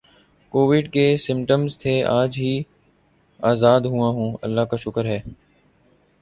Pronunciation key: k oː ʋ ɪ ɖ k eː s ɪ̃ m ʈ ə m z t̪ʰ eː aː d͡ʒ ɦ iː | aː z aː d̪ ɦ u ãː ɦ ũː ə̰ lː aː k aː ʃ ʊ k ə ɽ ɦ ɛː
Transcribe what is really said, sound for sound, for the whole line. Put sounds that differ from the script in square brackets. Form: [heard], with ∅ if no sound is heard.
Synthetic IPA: k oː ʋ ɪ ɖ k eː s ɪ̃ m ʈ ə m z t̪ʰ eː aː d͡ʒ ɦ iː | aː z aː d̪ ɦ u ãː ɦ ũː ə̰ lː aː k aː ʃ ʊ k ə [ɾ] ɦ ɛː